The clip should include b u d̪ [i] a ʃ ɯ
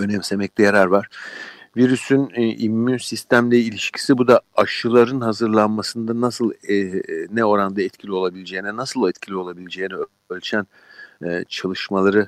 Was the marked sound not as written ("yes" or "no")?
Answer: yes